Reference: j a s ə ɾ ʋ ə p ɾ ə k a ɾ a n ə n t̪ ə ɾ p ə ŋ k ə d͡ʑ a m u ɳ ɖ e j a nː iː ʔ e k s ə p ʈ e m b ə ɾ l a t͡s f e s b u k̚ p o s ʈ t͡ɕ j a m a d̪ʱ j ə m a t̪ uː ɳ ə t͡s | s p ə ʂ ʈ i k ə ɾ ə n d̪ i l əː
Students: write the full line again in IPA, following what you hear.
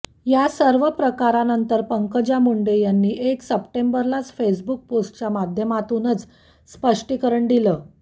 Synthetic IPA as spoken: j a s ə ɾ ʋ ə p ɾ ə k a ɾ a n ə n t̪ ə ɾ p ə ŋ k ə d͡ʑ a m u ɳ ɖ e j a nː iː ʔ e k s ə p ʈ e m b ə ɾ l a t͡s f e s b u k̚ p o s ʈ t͡ɕ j a m a d̪ʱ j ə m a t̪ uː n ə t͡s | s p ə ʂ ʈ i k ə ɾ ə ɳ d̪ i l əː